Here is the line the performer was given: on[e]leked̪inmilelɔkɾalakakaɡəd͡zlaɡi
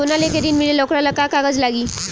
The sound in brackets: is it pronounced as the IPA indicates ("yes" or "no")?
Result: no